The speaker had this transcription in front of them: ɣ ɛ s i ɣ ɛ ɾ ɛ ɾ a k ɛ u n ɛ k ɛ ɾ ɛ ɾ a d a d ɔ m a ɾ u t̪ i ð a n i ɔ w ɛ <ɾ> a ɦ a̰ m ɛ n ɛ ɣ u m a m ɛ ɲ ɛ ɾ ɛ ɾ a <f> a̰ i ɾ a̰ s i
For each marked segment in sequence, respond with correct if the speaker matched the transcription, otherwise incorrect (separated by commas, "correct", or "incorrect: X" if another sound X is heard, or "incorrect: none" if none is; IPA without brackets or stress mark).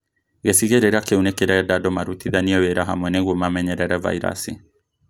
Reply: correct, incorrect: v